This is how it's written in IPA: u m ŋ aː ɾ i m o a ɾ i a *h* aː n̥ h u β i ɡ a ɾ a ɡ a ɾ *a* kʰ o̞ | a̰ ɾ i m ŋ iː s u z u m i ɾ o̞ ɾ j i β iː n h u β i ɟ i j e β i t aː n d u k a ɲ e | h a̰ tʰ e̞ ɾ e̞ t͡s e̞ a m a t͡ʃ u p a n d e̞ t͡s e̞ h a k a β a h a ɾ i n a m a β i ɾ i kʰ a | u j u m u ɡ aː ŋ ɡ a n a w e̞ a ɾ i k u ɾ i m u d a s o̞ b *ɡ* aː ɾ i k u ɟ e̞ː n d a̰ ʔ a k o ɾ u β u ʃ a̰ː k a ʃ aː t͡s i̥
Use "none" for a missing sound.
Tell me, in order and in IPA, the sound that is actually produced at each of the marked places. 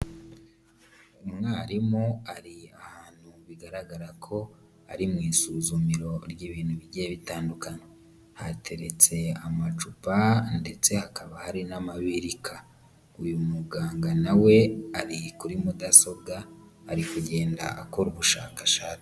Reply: h, a, ɡ

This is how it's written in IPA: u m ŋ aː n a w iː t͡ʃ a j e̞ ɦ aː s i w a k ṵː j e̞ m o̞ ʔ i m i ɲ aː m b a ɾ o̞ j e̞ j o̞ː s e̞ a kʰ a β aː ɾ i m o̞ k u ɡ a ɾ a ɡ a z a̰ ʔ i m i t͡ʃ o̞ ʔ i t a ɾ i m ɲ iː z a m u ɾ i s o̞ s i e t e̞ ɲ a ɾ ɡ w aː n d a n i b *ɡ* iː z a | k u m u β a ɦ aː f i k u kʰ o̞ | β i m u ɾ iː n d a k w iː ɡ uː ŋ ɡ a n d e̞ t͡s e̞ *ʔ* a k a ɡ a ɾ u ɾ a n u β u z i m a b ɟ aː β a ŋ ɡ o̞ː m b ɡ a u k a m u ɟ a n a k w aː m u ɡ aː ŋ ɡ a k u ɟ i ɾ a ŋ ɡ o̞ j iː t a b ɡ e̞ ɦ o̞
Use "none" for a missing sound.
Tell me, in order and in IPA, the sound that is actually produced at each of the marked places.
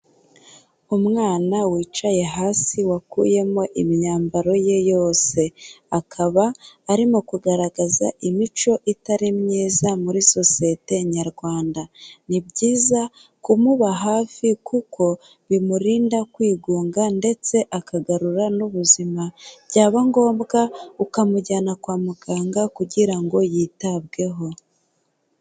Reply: ɟ, ʔ

